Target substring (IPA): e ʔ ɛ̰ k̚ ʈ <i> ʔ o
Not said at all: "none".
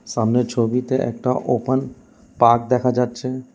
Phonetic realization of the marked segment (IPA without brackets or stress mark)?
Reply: a